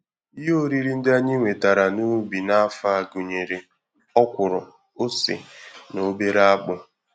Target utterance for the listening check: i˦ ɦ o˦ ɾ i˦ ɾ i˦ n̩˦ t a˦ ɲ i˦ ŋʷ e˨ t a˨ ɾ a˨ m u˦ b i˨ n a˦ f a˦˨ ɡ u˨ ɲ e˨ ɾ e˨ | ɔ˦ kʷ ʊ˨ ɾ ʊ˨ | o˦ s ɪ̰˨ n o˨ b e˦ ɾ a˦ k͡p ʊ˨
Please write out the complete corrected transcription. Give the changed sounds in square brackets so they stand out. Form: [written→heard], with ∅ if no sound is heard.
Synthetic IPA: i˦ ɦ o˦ ɾ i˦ ɾ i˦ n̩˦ [t→d] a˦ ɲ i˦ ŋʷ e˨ t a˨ ɾ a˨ [m→n] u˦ b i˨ n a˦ f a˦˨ ɡ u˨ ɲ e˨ ɾ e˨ | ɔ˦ kʷ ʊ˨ ɾ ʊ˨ | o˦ s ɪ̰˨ n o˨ b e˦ ɾ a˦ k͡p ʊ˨